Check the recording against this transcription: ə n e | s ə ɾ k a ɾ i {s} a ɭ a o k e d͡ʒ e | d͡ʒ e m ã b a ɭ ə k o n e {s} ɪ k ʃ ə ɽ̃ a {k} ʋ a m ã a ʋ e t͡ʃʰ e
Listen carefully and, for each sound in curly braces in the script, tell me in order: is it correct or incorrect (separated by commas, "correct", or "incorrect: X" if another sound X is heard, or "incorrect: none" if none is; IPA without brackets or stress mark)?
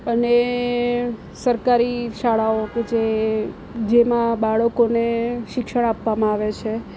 incorrect: ʃ, incorrect: ʃ, incorrect: p